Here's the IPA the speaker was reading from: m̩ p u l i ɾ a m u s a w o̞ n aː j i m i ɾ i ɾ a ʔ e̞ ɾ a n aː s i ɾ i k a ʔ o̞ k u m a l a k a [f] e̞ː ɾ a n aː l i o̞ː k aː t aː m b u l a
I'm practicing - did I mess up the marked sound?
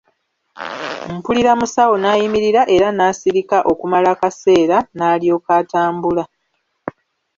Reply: yes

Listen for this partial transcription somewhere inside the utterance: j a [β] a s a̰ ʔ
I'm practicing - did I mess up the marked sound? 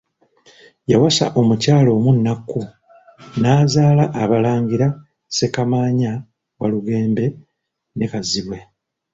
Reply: yes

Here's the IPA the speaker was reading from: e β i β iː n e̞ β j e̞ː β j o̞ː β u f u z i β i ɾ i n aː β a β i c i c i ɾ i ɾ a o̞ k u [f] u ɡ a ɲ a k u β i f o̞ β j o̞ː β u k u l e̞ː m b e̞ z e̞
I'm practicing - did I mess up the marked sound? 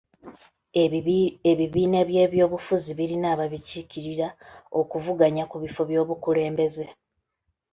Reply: yes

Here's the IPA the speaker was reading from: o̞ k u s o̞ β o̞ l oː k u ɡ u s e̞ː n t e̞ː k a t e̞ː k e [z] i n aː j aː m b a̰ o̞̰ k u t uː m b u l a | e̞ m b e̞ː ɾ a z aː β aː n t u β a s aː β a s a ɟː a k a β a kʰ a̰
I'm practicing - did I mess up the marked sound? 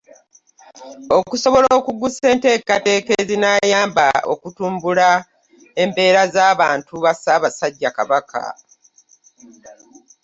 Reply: no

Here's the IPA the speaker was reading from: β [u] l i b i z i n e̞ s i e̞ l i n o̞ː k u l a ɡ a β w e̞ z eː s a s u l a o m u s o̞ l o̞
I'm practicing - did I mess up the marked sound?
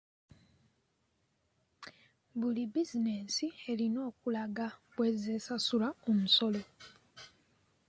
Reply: no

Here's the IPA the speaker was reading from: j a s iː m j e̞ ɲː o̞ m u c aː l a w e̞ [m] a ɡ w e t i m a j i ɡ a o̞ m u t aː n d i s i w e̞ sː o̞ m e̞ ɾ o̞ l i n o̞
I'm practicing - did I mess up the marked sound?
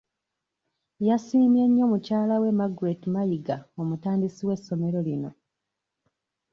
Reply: no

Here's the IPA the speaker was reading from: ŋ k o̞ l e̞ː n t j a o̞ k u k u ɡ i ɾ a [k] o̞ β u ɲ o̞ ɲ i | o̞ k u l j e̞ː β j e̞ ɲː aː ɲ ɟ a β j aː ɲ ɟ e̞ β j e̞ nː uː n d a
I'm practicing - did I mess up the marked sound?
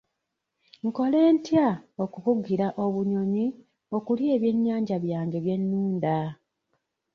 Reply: yes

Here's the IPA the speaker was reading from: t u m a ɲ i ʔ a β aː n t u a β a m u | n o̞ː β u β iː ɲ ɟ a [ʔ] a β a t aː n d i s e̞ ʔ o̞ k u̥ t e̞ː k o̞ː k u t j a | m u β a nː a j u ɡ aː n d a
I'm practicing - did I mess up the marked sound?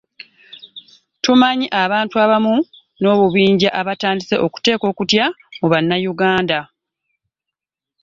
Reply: no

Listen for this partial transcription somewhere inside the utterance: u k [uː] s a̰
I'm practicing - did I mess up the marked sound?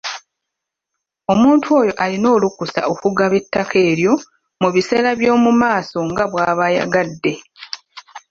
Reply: yes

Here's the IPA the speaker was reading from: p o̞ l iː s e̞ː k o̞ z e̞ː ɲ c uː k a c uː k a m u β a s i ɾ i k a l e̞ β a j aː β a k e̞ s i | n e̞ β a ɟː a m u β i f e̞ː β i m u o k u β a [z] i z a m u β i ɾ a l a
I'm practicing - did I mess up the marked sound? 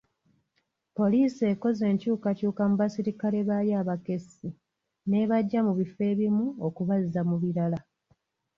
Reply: no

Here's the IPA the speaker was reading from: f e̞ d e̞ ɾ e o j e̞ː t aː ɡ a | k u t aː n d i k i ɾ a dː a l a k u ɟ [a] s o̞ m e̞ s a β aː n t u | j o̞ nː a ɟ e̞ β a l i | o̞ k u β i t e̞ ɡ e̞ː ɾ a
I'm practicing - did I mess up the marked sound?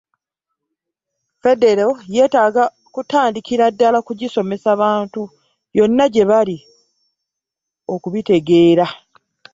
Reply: yes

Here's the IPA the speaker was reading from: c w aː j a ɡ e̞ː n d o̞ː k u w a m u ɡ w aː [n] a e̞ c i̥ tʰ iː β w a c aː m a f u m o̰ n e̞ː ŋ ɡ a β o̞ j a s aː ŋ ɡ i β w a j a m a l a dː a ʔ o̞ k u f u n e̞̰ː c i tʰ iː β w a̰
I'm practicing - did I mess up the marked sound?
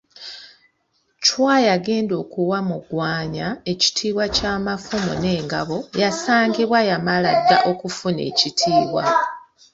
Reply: yes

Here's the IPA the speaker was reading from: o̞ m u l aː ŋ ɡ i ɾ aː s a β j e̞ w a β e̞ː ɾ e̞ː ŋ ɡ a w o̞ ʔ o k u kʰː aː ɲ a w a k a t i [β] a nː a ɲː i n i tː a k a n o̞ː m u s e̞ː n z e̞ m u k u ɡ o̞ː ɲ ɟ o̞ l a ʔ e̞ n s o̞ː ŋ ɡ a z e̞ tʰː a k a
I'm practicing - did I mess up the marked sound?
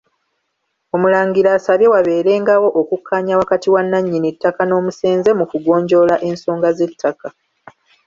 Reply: yes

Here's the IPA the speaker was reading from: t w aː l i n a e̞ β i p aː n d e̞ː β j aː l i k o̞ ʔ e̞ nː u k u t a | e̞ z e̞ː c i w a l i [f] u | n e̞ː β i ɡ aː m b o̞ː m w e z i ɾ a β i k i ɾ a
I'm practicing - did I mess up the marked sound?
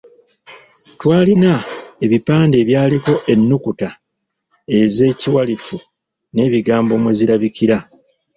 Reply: no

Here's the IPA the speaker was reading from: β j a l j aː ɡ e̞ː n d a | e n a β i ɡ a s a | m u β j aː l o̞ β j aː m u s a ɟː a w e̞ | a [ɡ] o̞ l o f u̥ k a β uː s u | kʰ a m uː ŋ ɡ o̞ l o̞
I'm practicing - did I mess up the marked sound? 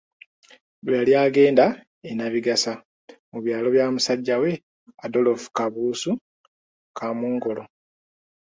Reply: yes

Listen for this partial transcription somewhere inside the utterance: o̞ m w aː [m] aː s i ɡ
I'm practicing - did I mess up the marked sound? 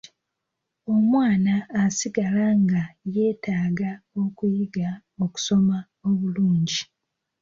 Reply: yes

